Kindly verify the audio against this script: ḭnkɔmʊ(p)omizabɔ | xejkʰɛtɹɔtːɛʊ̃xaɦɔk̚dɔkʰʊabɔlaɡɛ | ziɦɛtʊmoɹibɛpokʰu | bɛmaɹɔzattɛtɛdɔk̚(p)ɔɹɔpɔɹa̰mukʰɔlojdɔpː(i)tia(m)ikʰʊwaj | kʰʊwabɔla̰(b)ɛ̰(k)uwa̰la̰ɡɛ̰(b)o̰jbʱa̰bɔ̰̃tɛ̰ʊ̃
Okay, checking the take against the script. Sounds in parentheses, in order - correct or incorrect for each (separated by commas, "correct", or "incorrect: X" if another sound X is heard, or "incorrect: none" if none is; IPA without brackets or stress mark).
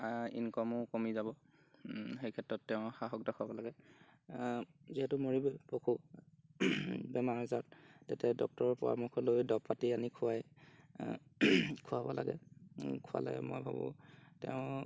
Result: incorrect: k, incorrect: t, incorrect: a, incorrect: n, incorrect: ɡ, incorrect: kʰ, incorrect: m